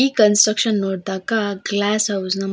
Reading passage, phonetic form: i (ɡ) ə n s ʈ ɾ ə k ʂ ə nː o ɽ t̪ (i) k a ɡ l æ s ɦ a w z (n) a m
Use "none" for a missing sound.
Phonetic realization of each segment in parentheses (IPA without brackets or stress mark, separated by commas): k, a, n